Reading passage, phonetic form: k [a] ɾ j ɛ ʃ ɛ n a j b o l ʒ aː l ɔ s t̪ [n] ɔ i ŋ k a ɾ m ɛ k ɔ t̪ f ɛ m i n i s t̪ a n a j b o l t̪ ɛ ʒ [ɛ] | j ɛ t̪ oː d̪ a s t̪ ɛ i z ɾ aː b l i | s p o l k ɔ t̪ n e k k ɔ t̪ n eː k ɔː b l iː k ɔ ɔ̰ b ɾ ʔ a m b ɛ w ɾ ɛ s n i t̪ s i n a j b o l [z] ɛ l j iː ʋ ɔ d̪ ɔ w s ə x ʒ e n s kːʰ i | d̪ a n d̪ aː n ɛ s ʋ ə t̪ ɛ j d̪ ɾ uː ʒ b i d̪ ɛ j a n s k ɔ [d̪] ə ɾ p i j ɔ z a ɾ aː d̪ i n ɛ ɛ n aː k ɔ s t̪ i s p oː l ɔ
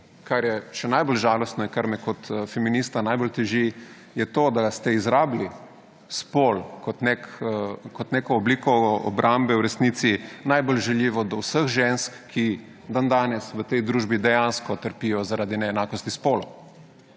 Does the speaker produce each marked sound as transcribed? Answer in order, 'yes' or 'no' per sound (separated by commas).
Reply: yes, yes, no, no, no